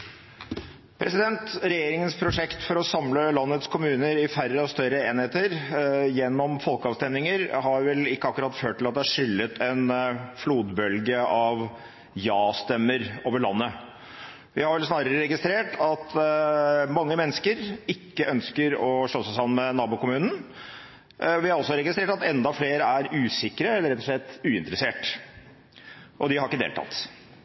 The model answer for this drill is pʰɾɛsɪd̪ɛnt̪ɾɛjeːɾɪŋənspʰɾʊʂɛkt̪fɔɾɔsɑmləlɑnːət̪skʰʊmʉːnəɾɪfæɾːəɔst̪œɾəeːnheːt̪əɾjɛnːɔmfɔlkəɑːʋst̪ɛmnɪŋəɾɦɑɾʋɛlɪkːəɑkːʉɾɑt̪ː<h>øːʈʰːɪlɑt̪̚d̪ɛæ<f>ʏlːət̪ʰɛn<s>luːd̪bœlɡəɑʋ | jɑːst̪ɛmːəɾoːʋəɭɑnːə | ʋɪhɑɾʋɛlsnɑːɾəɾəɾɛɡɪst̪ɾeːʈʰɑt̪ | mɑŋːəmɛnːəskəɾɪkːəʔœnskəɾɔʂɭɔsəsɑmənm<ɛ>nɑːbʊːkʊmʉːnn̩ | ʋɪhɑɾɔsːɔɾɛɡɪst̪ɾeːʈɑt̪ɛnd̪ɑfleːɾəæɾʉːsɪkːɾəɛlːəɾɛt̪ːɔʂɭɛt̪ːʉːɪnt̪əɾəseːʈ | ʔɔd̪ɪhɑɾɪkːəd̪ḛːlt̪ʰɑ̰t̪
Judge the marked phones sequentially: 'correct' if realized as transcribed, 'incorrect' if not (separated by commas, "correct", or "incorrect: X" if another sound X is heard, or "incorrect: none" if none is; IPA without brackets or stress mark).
incorrect: f, incorrect: ʂ, incorrect: f, correct